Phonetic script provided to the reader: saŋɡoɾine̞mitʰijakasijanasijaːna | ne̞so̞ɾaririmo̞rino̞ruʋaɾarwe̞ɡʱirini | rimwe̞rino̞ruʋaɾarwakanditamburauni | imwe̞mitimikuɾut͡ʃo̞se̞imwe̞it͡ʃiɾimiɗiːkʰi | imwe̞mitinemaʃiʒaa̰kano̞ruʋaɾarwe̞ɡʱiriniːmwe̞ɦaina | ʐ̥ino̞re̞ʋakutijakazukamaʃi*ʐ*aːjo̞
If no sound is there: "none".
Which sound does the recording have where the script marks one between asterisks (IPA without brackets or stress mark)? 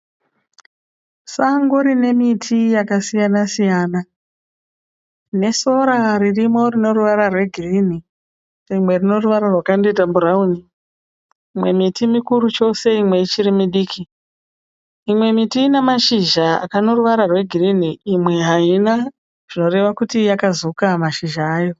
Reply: ʒ